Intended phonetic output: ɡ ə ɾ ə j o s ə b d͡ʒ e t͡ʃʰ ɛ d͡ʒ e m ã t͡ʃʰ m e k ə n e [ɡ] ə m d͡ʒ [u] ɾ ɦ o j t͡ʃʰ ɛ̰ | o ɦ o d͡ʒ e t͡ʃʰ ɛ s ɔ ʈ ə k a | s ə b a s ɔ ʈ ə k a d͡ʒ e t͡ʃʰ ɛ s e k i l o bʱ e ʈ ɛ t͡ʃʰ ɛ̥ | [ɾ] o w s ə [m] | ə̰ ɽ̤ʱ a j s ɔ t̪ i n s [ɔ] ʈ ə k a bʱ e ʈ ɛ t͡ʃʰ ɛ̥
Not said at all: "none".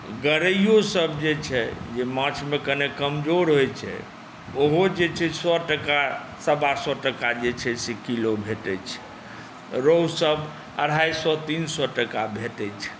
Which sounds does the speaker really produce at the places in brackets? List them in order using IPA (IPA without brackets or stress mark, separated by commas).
k, o, ɾ, b, ɔ